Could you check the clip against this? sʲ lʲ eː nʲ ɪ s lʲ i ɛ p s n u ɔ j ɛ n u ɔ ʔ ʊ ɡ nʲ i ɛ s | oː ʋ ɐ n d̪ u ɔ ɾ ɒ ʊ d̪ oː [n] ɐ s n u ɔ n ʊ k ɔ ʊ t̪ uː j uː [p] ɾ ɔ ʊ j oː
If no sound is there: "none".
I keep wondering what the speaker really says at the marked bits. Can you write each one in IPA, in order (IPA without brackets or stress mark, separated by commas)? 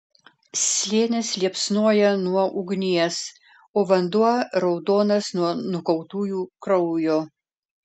n, k